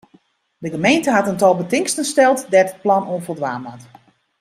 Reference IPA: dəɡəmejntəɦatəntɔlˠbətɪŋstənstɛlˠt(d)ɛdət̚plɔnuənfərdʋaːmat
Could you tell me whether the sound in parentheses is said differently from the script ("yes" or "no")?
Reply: no